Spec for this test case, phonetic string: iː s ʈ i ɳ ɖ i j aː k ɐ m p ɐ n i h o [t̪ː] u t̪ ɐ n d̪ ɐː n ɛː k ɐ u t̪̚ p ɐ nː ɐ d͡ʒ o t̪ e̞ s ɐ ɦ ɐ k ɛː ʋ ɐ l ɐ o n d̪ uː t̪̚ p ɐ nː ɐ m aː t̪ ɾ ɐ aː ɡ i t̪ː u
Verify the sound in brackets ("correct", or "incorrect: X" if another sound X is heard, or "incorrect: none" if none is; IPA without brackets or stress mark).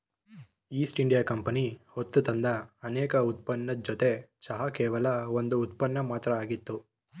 correct